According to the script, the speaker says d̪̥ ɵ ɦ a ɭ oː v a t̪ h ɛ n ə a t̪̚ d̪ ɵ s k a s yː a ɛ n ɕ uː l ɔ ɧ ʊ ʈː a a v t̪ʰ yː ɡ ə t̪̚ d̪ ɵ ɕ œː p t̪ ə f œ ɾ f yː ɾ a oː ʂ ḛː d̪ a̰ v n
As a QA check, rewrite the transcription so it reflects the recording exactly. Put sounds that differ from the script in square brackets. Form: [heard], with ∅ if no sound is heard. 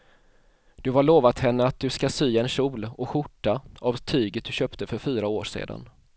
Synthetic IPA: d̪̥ ɵ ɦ a ɭ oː v a t̪ h ɛ [nː] ə a t̪̚ d̪ ɵ s k a s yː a ɛ n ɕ uː l ɔ ɧ ʊ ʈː a a v t̪ʰ yː ɡ ə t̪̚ d̪ ɵ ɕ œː p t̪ ə f œ ɾ f yː ɾ a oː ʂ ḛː d̪ a̰ [∅] n

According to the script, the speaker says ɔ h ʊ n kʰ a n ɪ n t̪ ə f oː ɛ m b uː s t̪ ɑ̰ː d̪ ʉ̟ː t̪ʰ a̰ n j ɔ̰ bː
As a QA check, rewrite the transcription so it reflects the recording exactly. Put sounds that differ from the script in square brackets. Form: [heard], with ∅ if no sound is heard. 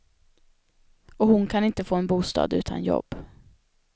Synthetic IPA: ɔ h ʊ n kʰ a n ɪ n t̪ ə f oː ɛ [n] b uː s t̪ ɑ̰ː d̪ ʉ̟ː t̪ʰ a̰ n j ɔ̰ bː

